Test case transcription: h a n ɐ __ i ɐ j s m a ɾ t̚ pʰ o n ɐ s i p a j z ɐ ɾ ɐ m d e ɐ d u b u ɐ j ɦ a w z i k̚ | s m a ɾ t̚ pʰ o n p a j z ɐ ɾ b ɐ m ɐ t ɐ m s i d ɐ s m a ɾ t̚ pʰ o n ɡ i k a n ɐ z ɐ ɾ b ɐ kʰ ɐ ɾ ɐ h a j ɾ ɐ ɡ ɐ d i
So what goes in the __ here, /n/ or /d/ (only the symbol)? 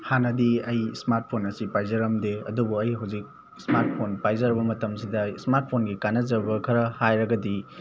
d